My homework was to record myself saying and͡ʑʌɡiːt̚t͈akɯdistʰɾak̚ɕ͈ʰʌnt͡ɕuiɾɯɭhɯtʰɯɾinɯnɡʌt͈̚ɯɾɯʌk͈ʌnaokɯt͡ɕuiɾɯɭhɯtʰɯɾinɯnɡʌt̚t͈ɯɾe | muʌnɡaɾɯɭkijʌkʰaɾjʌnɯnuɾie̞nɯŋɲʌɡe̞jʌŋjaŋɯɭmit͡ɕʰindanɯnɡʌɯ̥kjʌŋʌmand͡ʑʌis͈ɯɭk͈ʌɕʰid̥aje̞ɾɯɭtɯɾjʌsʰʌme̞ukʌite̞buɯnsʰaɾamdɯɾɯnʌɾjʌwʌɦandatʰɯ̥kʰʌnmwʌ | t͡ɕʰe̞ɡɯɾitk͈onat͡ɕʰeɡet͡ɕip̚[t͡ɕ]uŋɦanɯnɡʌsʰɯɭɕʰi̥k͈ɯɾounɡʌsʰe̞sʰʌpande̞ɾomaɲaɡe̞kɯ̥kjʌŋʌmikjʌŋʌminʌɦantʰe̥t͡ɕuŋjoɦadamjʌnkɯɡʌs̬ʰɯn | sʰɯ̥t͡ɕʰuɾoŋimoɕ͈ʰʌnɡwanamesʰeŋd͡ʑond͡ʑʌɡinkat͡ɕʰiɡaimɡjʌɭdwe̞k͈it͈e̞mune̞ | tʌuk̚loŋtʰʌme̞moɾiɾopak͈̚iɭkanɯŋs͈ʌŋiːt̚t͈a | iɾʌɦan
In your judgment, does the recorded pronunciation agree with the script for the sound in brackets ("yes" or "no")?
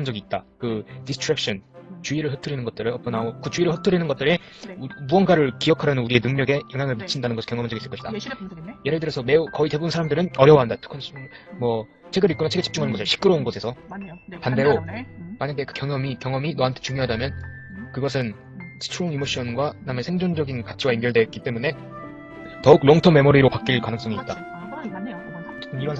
yes